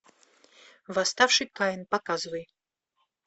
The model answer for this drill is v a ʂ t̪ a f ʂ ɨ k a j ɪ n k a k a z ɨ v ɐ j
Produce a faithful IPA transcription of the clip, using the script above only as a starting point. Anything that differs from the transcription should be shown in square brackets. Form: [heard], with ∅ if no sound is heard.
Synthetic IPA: v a [s] t̪ a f ʂ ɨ k a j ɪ n [p] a k a z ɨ v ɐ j